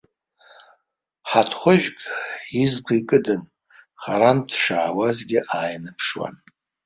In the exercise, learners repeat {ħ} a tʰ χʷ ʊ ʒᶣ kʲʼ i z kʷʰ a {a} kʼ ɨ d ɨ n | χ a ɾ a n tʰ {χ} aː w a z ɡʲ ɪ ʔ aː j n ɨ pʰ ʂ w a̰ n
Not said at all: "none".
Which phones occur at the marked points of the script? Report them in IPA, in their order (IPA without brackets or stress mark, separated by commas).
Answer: ħ, i, ʂ